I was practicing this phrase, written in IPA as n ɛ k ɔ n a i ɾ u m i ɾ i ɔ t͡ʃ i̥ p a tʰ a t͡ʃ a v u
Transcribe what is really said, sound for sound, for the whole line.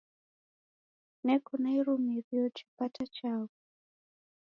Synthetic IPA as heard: n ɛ k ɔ n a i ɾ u m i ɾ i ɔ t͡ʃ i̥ p a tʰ a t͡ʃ a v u